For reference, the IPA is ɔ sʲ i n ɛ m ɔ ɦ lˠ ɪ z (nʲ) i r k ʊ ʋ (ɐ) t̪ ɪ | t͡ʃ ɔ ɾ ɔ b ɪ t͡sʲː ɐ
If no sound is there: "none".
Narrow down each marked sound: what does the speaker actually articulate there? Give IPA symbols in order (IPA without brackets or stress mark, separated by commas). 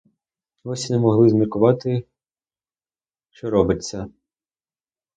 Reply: mʲ, ɑ